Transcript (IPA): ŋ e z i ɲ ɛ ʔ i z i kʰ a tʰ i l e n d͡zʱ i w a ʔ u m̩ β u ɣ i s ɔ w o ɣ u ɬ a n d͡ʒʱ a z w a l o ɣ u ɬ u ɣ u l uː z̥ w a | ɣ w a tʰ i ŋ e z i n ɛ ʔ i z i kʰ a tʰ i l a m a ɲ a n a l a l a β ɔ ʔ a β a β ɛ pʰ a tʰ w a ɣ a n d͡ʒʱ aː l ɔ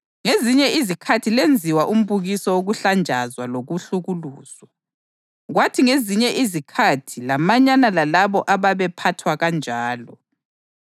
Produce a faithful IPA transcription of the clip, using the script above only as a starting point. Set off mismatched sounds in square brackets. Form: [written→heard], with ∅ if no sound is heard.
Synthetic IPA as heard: ŋ e z i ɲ ɛ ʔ i z i kʰ a tʰ i l e n d͡zʱ i w a ʔ u m̩ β u ɣ i s ɔ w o ɣ u ɬ a n d͡ʒʱ a z w a l o ɣ u ɬ u ɣ u l uː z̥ w a | ɣ w a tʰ i ŋ e z i [n→ɲ] ɛ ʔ i z i kʰ a tʰ i l a m a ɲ a n a l a l a β ɔ ʔ a β a β ɛ pʰ a tʰ w a ɣ a n d͡ʒʱ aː l ɔ